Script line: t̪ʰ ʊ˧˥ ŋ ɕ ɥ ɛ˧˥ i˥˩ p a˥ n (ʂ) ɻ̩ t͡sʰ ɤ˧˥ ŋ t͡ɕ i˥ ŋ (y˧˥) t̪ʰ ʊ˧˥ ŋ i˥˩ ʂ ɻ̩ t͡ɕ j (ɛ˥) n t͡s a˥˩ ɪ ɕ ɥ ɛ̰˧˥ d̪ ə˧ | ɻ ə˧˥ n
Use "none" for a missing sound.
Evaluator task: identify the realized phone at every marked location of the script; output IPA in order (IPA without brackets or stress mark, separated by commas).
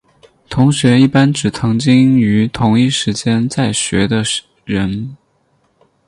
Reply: ʈ͡ʂ, y˧˥, ɛ˥